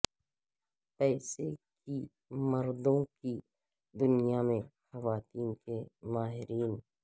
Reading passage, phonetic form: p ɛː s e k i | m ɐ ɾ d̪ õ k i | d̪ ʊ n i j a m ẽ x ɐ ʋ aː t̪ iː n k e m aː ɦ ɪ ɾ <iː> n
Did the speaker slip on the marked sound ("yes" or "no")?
no